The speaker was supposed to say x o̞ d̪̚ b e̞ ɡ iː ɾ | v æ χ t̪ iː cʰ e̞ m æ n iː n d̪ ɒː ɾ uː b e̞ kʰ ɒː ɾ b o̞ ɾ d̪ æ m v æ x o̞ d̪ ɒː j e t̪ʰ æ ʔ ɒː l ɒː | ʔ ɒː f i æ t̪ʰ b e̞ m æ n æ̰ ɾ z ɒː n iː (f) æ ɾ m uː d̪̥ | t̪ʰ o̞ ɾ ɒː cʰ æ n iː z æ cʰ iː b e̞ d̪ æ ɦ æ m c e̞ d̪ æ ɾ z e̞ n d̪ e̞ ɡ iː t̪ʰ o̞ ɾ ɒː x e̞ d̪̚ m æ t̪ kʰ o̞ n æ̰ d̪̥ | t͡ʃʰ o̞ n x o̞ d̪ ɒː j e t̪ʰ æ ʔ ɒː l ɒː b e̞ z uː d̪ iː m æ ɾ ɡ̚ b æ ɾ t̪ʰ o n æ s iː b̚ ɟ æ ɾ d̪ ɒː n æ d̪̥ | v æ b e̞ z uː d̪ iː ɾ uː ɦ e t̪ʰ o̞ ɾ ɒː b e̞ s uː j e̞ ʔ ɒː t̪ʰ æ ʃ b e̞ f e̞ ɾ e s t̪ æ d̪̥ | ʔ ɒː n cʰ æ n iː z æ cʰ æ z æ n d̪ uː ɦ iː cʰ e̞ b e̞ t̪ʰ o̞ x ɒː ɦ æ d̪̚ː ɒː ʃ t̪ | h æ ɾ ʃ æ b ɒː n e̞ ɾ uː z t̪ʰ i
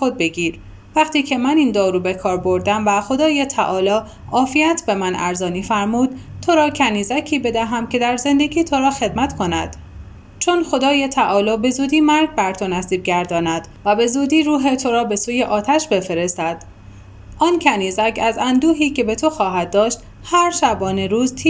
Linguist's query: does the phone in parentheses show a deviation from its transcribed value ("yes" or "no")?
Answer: no